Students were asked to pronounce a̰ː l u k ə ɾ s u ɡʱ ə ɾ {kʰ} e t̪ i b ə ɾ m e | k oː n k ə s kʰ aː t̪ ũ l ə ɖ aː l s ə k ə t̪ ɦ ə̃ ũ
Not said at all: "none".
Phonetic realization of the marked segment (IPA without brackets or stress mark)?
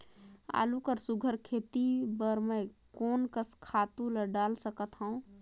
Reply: kʰ